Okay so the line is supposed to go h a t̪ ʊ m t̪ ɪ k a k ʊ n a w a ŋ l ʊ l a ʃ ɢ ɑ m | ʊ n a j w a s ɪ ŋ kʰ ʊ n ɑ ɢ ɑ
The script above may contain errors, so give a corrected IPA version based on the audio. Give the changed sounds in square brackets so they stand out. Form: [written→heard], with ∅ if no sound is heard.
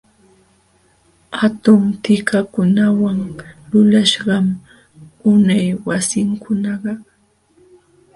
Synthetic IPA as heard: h a t̪ ʊ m t̪ ɪ k a k ʊ n a w a ŋ l ʊ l a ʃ ɢ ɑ m | ʊ n a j w a s ɪ ŋ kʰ ʊ n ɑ ɢ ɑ